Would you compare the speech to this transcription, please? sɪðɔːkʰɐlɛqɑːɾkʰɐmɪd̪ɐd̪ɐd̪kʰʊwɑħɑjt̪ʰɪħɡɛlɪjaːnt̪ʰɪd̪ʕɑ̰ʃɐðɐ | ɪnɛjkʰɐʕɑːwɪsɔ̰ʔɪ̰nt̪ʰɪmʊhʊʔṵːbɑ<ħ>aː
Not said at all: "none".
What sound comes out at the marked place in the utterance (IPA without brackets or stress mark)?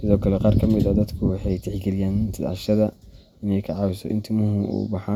ħ